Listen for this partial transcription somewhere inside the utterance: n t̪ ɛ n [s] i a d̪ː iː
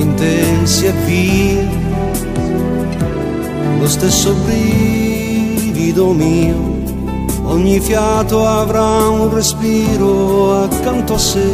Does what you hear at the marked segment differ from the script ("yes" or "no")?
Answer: no